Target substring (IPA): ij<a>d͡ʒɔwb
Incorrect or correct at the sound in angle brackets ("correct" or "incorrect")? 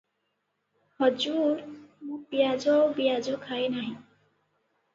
correct